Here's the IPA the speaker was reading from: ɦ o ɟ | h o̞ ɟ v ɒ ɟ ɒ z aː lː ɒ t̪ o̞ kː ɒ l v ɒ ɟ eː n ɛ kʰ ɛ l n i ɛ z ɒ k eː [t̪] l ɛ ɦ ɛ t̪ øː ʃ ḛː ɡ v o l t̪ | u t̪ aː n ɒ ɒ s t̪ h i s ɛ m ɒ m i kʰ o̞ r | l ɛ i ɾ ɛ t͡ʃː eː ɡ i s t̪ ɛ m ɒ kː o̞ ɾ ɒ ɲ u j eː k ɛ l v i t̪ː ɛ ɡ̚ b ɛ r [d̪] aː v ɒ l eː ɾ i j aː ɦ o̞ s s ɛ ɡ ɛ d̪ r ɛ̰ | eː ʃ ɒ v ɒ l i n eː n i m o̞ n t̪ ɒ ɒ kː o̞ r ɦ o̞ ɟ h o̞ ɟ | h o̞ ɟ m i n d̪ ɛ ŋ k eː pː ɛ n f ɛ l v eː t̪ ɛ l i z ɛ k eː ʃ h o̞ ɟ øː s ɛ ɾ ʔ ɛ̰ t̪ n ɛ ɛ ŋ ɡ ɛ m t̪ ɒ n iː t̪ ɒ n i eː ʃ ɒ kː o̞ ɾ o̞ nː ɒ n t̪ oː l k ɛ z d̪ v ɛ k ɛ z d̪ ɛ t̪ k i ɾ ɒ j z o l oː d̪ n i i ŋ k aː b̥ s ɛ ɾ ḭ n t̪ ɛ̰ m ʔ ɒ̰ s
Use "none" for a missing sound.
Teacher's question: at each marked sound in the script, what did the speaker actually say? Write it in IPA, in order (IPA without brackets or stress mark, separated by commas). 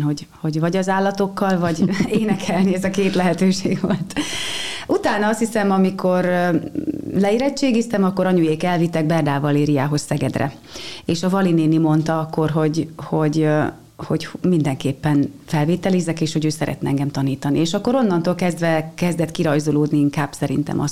t̪, d̪